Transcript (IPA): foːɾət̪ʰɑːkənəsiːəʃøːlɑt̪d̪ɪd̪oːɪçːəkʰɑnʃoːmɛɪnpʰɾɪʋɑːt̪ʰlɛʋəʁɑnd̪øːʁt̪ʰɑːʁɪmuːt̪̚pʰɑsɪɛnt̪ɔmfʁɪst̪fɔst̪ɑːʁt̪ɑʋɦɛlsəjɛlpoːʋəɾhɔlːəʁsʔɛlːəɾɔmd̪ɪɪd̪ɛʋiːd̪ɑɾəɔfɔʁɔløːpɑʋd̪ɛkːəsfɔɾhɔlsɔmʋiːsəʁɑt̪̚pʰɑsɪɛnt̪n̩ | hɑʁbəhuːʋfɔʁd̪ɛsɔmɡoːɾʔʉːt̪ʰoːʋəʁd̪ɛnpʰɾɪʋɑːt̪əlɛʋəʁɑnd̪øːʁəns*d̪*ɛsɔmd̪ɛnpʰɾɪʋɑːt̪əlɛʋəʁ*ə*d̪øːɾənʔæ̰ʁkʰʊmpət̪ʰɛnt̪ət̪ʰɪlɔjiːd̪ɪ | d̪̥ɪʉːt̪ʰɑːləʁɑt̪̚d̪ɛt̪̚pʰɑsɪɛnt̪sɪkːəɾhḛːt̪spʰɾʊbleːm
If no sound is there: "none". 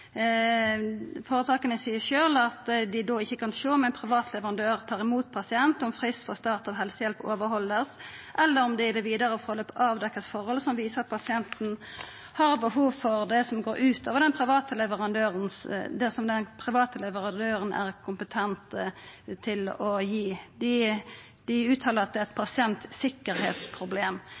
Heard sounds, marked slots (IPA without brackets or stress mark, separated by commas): d̪, ɑ